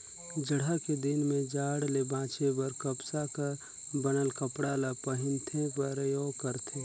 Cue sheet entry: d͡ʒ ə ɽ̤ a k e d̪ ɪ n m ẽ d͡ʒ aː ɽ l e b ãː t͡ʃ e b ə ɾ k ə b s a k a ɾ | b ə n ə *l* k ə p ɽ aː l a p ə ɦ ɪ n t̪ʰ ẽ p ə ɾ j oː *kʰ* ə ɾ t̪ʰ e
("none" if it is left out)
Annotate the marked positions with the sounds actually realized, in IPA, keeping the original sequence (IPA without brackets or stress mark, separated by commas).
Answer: l, k